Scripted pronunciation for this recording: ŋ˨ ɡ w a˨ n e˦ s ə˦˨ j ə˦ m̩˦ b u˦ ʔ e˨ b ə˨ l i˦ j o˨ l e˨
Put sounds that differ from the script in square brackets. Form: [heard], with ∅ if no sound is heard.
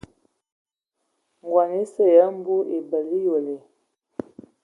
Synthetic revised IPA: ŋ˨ ɡ w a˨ n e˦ s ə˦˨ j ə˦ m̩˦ b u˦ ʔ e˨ b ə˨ l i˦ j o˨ l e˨